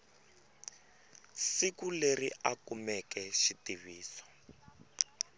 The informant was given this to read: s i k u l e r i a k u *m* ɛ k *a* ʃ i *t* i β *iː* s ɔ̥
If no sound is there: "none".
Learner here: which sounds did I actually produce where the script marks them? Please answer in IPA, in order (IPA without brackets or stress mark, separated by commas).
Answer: m, ɛ, t, iː